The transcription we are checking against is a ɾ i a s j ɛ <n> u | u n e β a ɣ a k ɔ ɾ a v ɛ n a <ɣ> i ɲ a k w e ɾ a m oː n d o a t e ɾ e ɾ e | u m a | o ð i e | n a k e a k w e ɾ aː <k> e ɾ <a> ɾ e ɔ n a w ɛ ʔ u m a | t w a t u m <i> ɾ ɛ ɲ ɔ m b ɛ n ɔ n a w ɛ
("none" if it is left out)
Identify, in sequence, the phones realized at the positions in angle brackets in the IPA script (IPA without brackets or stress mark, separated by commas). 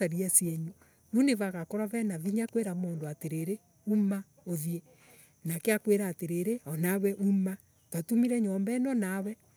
ɲ, ð, t, e, i